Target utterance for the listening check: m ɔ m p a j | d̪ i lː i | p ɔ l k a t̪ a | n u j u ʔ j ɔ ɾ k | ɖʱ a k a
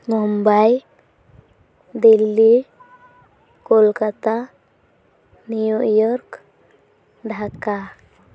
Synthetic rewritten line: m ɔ m b a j | d̪ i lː i | k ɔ l k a t̪ a | n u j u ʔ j ɔ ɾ k | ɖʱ a k a